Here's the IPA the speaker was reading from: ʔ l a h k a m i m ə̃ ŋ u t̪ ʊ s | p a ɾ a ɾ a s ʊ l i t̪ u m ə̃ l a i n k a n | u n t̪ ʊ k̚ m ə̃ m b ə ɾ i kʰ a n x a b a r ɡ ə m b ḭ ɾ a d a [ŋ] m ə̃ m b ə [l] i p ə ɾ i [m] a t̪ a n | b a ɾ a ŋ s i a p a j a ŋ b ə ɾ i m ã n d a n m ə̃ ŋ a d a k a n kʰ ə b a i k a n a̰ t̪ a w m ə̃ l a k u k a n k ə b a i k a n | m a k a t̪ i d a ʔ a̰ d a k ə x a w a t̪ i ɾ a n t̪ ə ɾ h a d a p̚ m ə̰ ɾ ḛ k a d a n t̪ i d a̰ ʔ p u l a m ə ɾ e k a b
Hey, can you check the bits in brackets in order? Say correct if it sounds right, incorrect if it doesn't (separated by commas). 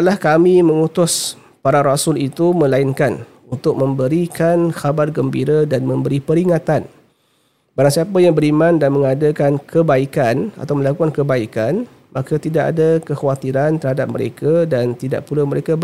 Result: incorrect, incorrect, incorrect